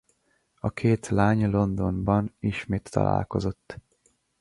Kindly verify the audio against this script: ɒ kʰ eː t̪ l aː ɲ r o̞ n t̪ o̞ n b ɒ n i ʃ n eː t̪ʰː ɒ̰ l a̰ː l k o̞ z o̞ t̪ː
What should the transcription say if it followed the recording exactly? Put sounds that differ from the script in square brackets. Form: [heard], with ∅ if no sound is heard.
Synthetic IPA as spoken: ɒ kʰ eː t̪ l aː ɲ [l] o̞ n [d̪] o̞ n b ɒ n i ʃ [m] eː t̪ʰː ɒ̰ l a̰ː l k o̞ z o̞ t̪ː